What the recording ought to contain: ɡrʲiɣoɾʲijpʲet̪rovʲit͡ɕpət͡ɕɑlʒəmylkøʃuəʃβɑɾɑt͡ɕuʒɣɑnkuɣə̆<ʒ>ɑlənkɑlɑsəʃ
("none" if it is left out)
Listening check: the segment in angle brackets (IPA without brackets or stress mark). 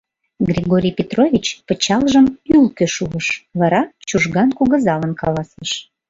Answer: z